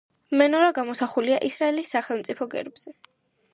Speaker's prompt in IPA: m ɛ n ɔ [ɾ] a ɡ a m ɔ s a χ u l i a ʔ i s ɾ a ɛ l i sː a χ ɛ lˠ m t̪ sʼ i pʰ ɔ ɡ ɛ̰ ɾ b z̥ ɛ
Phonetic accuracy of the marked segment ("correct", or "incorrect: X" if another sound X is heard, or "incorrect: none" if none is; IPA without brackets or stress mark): correct